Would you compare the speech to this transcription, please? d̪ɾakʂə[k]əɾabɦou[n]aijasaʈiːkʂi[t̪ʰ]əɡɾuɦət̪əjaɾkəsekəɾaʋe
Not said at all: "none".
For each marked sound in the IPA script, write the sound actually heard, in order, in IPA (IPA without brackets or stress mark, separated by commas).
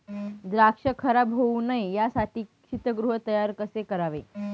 kʰ, n, t̪